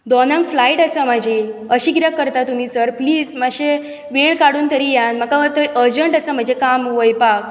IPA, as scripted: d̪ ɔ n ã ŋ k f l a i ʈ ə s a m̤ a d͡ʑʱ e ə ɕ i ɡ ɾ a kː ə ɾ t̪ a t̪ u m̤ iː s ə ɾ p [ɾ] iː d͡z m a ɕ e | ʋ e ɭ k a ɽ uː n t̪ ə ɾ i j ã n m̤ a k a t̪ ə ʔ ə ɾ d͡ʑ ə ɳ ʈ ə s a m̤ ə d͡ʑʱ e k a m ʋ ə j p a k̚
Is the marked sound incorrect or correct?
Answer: incorrect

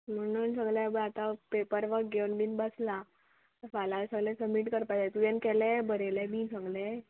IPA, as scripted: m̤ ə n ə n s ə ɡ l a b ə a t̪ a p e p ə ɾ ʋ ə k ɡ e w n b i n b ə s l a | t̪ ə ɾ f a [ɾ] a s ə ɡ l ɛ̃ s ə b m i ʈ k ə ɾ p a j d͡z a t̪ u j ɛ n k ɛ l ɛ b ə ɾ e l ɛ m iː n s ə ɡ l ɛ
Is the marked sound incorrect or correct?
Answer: incorrect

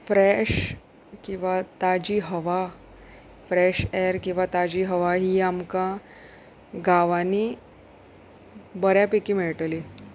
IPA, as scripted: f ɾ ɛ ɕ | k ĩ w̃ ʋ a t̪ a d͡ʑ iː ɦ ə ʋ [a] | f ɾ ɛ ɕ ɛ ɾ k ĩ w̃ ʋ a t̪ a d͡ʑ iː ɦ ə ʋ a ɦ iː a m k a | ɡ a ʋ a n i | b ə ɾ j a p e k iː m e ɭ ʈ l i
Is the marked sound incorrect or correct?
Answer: correct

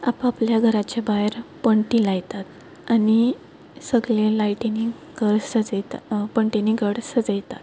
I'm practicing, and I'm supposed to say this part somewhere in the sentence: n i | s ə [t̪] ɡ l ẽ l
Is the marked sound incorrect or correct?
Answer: incorrect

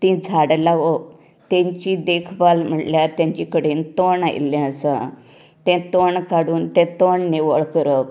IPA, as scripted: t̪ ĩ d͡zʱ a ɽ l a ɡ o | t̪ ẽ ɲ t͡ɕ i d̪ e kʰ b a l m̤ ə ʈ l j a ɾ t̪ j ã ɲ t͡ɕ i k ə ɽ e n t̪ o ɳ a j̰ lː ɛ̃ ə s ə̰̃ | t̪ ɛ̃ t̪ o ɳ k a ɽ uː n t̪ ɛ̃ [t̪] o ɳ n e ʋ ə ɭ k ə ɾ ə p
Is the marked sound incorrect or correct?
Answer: correct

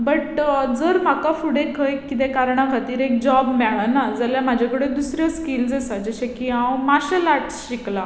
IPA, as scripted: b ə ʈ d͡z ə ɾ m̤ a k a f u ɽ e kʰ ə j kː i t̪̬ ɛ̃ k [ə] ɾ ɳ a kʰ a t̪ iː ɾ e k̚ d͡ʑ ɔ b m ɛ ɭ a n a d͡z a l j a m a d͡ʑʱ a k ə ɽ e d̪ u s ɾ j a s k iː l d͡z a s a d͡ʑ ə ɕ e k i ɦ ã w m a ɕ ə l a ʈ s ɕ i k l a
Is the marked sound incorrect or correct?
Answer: incorrect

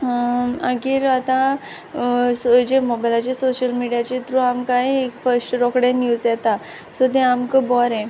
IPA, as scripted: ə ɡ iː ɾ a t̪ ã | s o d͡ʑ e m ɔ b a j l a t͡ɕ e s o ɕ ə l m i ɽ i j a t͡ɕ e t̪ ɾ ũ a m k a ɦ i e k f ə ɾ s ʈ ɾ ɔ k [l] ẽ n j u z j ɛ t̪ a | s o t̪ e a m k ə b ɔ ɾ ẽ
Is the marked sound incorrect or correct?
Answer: incorrect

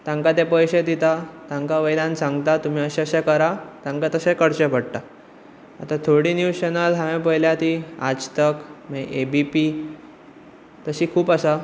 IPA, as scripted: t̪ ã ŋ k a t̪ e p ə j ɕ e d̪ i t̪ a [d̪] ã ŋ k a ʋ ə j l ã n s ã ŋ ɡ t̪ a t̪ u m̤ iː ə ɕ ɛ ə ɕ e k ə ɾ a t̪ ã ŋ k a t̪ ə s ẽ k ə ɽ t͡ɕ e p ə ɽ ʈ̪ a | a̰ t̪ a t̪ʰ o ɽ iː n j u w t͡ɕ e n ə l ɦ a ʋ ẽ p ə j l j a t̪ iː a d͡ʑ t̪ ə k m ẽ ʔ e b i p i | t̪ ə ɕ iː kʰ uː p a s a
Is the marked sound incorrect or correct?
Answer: incorrect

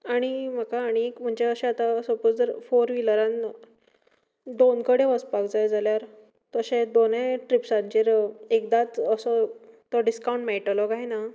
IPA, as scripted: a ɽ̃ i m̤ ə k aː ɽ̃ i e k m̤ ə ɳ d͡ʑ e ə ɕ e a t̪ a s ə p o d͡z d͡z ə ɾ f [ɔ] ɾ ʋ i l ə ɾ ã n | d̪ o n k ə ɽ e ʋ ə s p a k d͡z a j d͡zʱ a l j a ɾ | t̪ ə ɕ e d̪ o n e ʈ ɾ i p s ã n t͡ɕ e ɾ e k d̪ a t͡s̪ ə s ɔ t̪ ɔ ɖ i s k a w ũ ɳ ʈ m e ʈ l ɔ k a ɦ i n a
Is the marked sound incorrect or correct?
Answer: incorrect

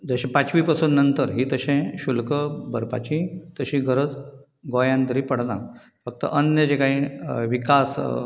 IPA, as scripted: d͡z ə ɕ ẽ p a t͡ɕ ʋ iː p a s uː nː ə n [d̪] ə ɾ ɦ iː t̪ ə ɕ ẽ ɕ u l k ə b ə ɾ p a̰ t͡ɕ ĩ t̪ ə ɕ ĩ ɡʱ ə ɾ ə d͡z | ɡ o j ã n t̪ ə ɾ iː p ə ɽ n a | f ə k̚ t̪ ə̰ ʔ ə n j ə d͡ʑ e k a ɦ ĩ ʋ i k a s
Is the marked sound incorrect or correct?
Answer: incorrect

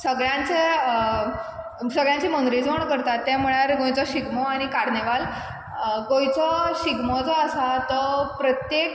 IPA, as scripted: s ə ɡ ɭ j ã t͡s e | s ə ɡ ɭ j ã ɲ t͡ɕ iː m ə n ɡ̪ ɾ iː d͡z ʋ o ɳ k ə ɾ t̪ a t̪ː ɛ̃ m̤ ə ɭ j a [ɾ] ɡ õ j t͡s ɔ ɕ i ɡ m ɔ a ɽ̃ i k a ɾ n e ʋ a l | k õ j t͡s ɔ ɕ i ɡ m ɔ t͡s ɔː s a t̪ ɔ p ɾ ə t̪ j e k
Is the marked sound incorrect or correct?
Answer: correct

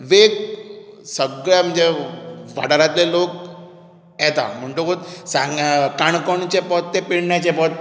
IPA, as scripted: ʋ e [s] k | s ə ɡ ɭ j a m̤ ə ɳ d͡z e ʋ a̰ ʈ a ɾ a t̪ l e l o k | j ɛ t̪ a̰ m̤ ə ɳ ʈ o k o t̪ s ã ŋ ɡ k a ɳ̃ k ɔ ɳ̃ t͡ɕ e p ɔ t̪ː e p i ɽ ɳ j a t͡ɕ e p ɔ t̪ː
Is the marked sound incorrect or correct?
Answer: incorrect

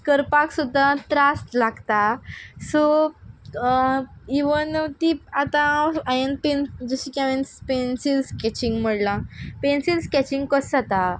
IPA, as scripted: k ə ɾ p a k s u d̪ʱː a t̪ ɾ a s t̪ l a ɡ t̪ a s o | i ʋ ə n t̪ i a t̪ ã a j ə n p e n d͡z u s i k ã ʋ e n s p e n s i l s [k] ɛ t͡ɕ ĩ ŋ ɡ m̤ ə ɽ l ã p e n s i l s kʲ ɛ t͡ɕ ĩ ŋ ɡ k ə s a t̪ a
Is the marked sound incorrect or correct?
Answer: correct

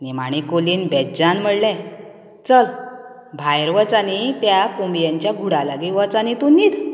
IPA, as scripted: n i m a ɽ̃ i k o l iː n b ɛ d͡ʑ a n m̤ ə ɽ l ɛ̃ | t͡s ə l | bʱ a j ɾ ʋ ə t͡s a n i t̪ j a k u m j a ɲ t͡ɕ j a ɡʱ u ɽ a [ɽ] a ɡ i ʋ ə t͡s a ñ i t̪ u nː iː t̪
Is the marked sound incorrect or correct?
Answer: incorrect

